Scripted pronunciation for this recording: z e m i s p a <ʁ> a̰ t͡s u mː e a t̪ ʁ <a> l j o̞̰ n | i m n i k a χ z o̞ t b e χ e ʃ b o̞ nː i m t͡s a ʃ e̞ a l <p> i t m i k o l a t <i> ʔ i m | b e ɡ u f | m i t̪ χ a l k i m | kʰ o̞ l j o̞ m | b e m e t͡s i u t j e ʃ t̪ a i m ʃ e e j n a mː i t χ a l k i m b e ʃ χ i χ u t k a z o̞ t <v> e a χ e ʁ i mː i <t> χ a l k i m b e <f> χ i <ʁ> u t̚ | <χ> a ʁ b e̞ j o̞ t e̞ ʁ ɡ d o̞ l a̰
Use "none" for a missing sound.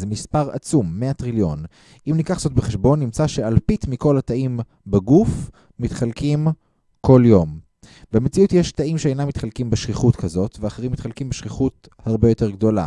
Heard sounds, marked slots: ʁ, i, p, a, v, t, ʃ, χ, h

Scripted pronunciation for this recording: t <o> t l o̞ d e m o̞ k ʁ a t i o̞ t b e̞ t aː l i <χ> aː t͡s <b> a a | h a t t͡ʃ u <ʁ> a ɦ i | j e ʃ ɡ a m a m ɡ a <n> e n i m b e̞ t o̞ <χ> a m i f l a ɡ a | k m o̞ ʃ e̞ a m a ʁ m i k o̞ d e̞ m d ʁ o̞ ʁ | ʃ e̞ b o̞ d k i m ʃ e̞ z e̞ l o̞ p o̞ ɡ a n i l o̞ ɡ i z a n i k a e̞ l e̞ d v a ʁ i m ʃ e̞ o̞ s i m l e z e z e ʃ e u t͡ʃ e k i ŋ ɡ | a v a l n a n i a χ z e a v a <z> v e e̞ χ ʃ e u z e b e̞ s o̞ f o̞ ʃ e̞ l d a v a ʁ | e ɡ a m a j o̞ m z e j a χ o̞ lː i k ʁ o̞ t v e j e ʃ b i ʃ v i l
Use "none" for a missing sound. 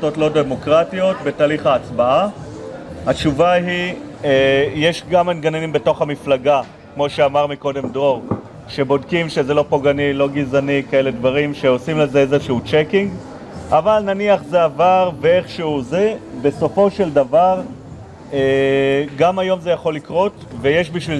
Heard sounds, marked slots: o, χ, b, v, n, χ, ʁ

